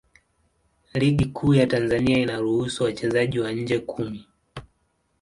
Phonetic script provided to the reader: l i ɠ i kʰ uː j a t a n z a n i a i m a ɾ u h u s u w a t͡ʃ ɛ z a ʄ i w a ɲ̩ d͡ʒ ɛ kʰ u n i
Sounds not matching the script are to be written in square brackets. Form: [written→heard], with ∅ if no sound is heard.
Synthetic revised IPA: l i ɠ i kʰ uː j a t a n z a n i a i [m→n] a ɾ u h u s u w a t͡ʃ ɛ z a ʄ i w a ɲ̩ d͡ʒ ɛ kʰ u [n→m] i